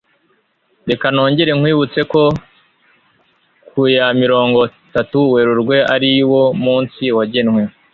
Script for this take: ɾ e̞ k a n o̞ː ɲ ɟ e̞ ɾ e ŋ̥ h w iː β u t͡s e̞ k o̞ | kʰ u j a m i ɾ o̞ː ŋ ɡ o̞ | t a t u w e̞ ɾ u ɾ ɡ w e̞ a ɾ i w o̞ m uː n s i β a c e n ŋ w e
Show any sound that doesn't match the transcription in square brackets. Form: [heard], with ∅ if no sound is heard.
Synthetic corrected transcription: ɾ e̞ k a n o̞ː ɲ ɟ e̞ ɾ e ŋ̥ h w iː β u t͡s e̞ k o̞ | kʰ u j a m i ɾ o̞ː ŋ ɡ o̞ | t a t u w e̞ ɾ u ɾ ɡ w e̞ a ɾ i w o̞ m uː n s i [w] a [ɟ] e n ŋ w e